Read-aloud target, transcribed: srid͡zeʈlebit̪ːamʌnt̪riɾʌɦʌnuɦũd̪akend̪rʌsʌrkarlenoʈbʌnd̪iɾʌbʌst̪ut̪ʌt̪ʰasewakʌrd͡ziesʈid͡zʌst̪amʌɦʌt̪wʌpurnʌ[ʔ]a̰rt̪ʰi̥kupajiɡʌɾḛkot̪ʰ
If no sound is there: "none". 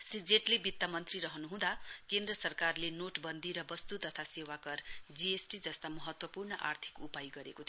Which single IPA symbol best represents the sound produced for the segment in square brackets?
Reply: ʔ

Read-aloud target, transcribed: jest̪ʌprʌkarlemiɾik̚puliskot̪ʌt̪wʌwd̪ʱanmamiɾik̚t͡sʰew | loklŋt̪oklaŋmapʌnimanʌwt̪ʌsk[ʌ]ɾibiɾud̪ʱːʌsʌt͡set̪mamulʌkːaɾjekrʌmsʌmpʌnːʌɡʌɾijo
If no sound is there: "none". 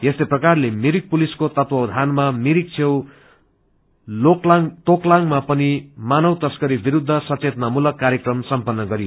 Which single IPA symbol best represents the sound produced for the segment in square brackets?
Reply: ʌ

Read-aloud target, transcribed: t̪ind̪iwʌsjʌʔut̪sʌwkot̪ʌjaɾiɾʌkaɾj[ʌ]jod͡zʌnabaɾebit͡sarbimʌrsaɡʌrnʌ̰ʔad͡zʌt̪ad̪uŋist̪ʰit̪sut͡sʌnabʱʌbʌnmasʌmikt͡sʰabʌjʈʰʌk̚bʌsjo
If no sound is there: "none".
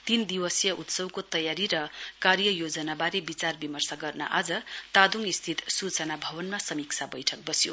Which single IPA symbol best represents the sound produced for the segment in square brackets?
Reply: ʌ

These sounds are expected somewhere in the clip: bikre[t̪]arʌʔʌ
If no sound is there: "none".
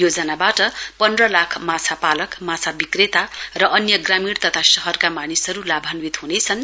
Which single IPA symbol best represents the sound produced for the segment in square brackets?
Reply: t̪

